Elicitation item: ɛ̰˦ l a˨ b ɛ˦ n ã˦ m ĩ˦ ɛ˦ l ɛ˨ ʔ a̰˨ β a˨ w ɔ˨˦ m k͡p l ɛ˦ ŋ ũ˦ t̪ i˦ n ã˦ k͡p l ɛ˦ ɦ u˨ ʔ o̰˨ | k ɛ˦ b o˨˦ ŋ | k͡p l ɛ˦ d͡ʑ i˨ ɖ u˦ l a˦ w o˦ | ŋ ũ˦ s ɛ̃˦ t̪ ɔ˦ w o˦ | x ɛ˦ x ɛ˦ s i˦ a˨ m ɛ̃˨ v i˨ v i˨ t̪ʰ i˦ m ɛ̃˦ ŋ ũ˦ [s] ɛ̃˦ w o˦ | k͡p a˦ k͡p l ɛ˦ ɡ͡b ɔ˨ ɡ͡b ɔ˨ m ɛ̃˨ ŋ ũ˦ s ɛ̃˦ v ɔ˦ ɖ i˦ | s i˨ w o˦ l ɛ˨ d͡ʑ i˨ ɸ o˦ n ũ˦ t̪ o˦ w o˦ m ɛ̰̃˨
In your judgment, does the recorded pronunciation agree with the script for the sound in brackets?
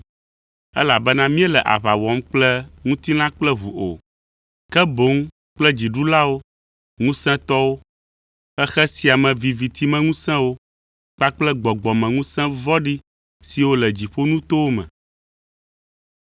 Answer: yes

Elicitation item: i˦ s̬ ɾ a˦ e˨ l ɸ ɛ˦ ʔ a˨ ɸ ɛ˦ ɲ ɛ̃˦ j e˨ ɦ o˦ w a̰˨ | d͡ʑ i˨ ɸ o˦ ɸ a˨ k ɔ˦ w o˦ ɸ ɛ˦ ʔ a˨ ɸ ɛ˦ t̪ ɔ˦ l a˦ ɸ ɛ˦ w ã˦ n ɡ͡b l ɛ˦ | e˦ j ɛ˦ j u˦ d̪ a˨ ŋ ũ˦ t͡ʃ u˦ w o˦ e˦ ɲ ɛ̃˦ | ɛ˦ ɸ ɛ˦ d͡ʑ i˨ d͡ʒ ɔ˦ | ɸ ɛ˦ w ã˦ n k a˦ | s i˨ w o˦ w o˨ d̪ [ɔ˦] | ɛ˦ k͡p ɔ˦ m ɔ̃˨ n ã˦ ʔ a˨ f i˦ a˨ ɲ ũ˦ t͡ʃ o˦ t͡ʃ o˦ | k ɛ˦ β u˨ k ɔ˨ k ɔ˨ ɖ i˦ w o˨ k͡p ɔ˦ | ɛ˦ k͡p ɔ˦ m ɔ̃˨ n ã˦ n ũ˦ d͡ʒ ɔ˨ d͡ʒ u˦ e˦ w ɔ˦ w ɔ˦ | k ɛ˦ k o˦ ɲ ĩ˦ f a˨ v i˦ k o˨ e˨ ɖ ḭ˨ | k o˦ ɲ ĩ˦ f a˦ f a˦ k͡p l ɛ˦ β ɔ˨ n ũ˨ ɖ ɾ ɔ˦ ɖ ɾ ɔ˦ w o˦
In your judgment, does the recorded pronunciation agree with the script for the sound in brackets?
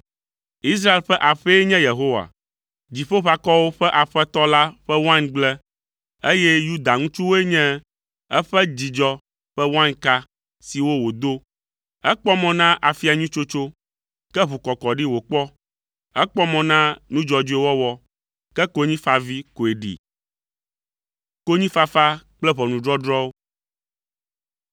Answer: no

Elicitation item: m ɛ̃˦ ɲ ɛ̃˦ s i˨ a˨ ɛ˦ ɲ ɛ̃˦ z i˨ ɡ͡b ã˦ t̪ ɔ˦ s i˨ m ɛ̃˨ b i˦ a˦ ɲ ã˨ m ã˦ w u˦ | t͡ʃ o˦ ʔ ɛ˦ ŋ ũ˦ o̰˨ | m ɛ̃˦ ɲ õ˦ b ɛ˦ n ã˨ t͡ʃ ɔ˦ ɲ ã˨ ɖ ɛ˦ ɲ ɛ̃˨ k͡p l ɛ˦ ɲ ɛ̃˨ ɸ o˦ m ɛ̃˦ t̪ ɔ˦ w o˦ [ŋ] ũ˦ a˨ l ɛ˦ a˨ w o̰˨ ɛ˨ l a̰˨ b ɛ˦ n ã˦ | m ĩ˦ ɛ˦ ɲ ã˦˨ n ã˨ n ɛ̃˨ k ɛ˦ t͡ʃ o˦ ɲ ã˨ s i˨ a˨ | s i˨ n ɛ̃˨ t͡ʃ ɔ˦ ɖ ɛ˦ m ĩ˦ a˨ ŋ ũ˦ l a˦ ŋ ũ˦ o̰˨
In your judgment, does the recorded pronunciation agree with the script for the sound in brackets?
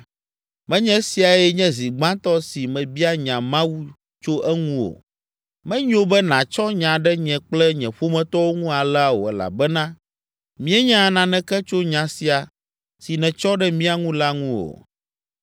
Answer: yes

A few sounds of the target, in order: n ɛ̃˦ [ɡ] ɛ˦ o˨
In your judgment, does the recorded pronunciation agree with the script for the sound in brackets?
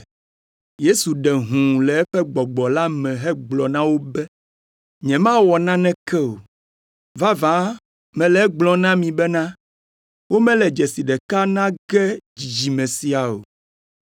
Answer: no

